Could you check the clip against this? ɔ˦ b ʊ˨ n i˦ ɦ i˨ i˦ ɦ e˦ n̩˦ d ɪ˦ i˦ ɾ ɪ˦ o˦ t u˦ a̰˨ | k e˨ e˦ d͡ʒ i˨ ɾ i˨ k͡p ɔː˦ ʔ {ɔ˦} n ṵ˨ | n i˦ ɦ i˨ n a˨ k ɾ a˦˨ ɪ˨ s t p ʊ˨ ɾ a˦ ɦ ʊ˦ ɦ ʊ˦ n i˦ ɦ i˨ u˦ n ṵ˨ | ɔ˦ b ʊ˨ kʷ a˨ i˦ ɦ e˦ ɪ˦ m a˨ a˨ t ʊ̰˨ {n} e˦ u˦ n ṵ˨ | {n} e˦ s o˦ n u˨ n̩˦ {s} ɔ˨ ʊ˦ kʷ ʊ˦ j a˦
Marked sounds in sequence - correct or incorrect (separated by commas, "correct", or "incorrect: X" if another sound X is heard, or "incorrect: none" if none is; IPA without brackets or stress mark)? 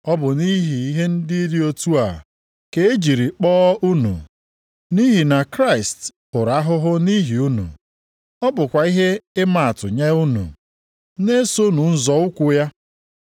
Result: incorrect: u˦, incorrect: ɲ, correct, incorrect: z